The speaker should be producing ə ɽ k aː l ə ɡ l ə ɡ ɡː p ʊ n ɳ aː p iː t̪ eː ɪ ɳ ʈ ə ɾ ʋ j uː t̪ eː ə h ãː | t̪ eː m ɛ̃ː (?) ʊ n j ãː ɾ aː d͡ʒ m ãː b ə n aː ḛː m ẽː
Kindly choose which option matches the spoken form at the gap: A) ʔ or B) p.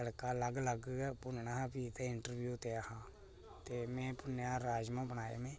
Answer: B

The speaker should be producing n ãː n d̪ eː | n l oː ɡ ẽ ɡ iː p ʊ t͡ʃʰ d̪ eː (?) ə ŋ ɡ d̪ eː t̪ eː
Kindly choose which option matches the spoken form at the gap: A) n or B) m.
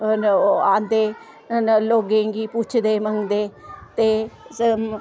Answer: B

